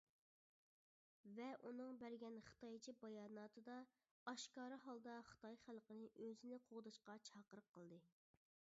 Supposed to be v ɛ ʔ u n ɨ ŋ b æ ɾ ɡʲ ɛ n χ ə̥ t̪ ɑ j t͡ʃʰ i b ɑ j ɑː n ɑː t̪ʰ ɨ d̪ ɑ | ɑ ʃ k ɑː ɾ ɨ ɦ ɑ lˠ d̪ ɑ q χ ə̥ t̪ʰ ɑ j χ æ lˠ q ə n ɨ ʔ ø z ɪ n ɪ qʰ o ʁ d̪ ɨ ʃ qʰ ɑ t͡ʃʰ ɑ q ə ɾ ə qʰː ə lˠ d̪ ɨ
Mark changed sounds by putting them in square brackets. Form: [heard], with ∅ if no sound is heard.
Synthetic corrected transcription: v ɛ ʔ u n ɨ ŋ b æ ɾ ɡʲ ɛ n χ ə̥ t̪ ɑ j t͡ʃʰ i b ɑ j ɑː n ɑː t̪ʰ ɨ d̪ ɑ | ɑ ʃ k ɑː ɾ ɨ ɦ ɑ lˠ d̪ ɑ [∅] χ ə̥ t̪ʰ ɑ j χ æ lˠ q ə n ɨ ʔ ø z ɪ n ɪ qʰ o ʁ d̪ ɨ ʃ [q] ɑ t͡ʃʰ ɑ q ə ɾ ə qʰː ə lˠ d̪ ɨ